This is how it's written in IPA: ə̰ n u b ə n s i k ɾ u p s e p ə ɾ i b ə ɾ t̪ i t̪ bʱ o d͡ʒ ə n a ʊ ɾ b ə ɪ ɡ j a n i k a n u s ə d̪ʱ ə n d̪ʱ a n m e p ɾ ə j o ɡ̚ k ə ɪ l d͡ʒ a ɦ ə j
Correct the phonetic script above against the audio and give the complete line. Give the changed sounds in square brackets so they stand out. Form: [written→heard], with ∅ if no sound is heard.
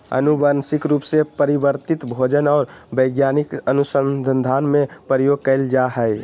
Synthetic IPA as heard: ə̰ n u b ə n s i k ɾ u p s e p ə ɾ i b ə ɾ t̪ i t̪ bʱ o d͡ʒ ə n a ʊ ɾ b ə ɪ ɡ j a n i k [a→ə] n u s ə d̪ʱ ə n d̪ʱ a n m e p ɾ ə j o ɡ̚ k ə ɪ l d͡ʒ a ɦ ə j